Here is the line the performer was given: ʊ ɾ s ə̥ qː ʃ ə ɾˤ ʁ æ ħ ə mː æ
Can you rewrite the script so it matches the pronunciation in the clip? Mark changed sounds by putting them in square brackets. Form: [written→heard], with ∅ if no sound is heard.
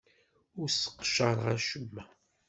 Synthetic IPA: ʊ ɾ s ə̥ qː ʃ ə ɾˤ ʁ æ [ħ→ʃ] ə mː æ